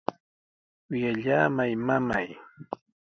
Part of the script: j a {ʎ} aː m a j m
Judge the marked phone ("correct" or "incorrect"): correct